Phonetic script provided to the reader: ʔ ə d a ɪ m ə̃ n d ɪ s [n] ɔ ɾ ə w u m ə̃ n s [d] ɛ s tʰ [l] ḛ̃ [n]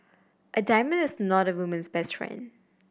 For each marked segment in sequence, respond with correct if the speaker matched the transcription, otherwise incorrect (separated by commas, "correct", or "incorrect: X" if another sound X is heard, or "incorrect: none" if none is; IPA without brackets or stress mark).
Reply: correct, incorrect: b, incorrect: ɹ, correct